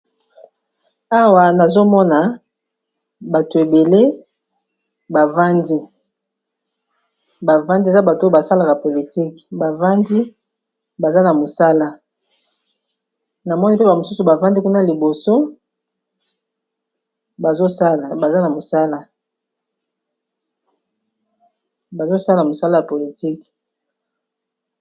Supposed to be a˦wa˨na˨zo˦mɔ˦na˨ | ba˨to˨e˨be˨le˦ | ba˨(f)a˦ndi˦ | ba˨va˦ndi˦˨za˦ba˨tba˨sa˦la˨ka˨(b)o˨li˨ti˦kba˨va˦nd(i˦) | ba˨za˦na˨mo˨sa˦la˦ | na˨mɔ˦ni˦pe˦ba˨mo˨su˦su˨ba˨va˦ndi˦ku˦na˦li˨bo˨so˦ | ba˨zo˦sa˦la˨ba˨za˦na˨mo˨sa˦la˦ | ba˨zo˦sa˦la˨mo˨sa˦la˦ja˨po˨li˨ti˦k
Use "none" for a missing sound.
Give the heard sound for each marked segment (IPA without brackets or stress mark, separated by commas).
v, p, i˦